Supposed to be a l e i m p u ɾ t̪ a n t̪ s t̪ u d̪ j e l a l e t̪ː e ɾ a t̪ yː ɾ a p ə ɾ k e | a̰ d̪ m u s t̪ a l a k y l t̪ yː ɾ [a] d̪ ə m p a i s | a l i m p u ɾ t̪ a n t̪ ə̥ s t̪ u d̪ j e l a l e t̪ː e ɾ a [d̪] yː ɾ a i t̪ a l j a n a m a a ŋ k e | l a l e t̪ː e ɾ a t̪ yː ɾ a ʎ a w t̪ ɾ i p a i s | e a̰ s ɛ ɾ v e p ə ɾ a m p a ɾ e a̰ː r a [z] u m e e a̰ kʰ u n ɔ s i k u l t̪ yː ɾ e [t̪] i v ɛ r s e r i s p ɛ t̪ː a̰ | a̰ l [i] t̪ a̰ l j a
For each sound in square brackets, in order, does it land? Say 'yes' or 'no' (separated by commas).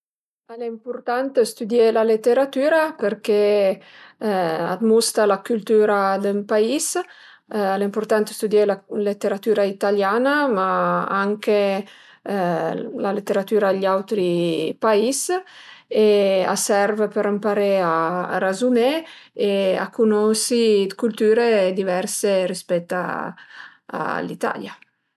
yes, no, yes, no, yes